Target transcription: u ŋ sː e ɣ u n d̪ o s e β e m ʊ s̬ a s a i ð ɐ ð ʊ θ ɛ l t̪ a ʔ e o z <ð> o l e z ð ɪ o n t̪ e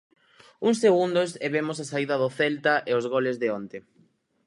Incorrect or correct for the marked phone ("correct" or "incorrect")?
incorrect